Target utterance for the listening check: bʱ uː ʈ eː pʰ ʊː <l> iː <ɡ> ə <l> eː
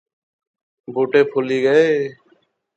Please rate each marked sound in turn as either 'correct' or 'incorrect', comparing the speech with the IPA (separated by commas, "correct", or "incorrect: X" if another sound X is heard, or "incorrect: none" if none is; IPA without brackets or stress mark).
correct, correct, incorrect: none